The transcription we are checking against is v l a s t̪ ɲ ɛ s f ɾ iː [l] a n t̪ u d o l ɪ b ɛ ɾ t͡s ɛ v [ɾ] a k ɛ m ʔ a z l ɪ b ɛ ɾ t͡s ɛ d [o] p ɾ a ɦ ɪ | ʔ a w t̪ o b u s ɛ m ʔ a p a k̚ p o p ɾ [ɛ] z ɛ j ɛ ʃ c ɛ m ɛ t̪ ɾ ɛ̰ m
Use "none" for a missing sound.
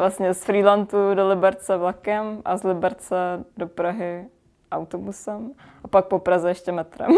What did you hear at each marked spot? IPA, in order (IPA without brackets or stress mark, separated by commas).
l, l, o, a